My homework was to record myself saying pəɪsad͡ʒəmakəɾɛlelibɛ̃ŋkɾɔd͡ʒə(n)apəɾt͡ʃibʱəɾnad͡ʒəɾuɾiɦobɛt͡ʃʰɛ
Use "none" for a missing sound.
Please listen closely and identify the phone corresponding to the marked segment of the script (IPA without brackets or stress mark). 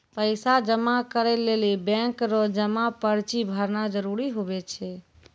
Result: m